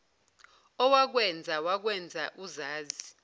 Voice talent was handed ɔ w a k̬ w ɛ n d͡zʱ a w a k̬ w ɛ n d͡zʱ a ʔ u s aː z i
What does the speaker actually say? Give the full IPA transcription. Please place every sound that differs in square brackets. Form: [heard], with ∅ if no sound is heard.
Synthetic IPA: ɔ w a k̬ w ɛ n d͡zʱ a w a k̬ w ɛ n d͡zʱ a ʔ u [z] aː z i